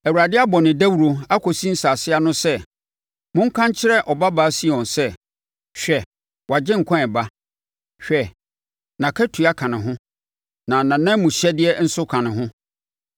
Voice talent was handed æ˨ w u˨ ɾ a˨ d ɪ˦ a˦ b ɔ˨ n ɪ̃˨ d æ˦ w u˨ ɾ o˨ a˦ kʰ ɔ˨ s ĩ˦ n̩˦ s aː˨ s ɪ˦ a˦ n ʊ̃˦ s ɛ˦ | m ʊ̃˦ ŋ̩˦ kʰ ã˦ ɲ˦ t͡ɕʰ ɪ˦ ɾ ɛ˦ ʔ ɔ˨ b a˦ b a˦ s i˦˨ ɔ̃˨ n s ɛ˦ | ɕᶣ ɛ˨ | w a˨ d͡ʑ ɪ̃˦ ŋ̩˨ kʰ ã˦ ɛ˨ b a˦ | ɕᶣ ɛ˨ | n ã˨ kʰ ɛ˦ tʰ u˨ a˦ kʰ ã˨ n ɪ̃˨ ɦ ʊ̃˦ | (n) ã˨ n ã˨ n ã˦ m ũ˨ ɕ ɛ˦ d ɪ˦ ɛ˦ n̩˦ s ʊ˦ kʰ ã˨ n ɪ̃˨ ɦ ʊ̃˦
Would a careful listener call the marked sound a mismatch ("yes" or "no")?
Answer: no